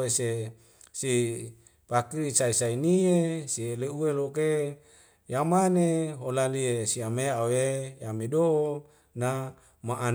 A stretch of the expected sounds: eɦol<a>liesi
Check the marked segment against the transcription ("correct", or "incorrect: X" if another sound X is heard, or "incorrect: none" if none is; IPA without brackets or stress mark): correct